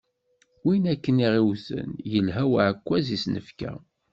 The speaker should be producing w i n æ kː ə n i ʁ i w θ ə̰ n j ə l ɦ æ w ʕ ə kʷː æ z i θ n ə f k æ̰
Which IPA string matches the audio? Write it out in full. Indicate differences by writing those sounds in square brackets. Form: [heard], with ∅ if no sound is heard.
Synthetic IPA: w i n æ kː ə n i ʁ i w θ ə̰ n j ə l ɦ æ w ʕ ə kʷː æ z i [s] n ə f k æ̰

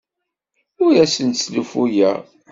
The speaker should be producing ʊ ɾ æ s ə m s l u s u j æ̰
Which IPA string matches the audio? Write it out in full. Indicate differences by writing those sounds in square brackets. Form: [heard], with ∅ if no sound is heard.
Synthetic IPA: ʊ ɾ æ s ə [n] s l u [f] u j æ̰

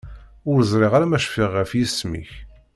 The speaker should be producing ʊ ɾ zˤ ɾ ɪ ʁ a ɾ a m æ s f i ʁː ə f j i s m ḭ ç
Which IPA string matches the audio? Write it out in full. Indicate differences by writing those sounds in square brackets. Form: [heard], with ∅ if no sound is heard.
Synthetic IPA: ʊ ɾ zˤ ɾ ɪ ʁ a ɾ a m æ [ʃ] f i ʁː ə f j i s m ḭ ç

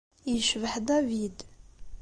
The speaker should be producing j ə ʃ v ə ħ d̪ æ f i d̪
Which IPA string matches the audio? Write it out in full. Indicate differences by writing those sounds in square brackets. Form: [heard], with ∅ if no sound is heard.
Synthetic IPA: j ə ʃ v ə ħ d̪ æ [v] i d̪

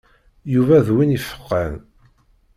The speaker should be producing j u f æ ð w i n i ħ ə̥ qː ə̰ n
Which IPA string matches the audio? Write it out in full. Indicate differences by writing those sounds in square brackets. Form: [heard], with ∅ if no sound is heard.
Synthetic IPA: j u [v] æ ð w i n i [f] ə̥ qː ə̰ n

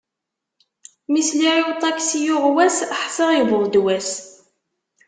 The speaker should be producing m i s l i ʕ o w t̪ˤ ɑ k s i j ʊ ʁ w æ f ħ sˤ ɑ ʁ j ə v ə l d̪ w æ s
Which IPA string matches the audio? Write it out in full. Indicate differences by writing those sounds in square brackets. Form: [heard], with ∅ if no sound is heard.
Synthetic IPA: m i s l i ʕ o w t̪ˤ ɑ k s i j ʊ ʁ w æ [s] ħ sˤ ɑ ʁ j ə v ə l d̪ w æ s

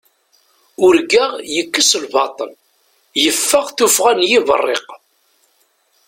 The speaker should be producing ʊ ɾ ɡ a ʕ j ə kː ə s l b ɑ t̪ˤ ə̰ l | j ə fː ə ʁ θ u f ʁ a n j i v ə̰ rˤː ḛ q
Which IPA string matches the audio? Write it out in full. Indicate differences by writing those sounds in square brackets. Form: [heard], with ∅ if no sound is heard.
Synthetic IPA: ʊ ɾ ɡ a [ʁ] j ə kː ə s l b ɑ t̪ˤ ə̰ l | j ə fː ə ʁ θ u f ʁ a n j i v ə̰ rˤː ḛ q

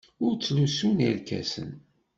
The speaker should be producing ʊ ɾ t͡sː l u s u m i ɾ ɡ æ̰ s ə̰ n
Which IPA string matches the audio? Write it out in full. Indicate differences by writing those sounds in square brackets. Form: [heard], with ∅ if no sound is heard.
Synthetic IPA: ʊ ɾ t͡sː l u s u [n] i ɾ [k] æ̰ s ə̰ n

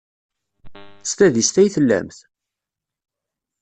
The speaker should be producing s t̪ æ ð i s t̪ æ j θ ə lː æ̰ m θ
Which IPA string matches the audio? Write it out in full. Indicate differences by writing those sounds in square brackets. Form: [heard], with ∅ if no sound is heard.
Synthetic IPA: s t̪ æ ð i s t̪ æ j θ ə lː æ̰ m θ

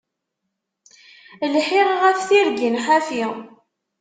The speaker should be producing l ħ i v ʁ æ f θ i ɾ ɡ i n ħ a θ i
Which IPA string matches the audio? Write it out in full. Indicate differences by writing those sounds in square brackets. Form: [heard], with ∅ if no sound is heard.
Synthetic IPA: l ħ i [ʁ] ʁ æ f θ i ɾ ɡ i n ħ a [f] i

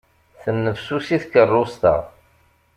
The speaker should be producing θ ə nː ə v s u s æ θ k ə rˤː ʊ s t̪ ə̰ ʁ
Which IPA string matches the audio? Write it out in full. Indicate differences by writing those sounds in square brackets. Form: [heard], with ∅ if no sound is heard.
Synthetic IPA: θ ə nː ə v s u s [i] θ k ə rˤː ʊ s t̪ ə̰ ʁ

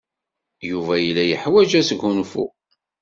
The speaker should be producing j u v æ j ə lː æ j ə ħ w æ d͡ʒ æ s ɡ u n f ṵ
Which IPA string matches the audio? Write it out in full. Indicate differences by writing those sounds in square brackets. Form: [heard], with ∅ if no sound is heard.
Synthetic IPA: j u v æ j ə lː æ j ə ħ w æ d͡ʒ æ s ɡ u n f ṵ

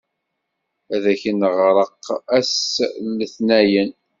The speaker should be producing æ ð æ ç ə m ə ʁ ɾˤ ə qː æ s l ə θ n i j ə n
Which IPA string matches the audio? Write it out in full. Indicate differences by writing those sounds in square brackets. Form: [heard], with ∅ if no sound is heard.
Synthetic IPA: æ ð æ ç ə [n] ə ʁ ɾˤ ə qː æ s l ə θ n [æ] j ə n

